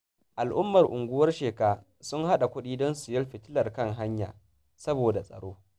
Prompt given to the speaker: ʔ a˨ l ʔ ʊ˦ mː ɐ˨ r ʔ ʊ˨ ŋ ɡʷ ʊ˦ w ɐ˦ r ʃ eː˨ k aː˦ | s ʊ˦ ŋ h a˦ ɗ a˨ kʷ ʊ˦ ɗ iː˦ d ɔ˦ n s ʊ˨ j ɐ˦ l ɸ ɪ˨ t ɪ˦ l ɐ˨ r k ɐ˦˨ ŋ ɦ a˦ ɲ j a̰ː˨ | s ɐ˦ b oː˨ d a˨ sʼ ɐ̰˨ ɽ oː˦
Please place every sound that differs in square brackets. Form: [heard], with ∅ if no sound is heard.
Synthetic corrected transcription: ʔ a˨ l ʔ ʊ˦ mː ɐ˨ r ʔ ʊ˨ ŋ ɡʷ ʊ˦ w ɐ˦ r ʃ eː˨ k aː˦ | s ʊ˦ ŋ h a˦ ɗ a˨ kʷ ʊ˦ ɗ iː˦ d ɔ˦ n s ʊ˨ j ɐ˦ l ɸ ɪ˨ t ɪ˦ l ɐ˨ r k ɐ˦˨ ŋ ɦ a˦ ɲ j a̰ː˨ | s ɐ˦ b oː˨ d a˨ sʼ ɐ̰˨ ɽ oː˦